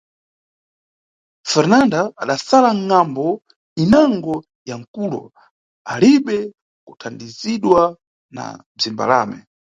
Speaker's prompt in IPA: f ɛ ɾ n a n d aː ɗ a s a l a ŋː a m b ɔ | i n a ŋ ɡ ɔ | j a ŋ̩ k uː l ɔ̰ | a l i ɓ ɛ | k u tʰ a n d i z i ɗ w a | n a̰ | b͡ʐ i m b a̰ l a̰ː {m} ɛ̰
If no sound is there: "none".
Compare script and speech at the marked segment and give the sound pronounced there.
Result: m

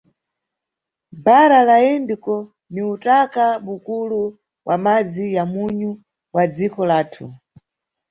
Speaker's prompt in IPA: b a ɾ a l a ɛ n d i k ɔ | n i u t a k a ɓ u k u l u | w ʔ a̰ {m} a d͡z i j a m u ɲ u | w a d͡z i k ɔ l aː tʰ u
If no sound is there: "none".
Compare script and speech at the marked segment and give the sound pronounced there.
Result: m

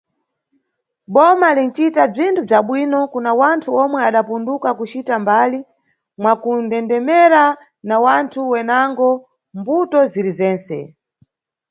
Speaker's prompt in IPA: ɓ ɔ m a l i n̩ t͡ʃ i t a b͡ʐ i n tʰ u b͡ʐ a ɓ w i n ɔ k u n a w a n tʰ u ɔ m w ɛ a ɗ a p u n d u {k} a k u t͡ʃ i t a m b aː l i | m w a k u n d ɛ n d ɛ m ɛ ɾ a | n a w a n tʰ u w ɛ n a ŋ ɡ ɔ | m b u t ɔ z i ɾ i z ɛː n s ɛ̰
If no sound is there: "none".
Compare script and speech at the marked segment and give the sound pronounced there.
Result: k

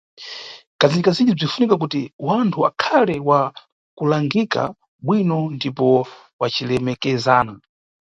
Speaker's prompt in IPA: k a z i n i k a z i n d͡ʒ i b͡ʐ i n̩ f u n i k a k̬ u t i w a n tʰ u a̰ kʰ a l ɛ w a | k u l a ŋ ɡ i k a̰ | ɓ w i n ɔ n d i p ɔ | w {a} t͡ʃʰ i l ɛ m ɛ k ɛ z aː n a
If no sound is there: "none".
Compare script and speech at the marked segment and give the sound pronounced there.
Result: a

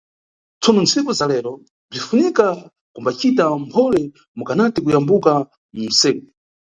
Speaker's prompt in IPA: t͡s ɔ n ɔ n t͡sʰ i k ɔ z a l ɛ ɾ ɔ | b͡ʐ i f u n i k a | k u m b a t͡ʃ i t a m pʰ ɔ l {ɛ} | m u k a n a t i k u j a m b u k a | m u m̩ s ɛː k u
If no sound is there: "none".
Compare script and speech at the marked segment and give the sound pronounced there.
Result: ɛ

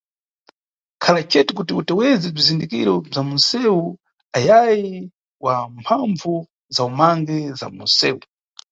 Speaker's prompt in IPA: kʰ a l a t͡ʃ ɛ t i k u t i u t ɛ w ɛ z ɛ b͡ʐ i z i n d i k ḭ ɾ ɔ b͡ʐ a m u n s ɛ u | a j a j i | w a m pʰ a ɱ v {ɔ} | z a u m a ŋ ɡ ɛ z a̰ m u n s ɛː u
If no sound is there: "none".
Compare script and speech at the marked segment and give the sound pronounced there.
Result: u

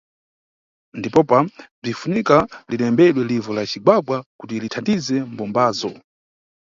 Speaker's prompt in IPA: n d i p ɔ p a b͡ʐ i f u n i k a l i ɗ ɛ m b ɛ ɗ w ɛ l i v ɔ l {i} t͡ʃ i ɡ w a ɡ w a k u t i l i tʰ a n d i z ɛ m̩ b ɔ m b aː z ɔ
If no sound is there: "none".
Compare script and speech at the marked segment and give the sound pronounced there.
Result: a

